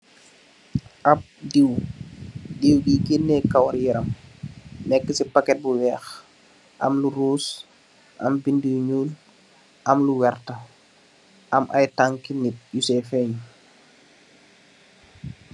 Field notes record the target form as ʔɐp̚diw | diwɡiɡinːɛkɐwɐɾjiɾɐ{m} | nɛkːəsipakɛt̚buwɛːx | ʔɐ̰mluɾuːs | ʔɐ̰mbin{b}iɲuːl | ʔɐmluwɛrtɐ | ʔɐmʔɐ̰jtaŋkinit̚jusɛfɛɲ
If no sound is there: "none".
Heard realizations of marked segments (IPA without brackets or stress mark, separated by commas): m, d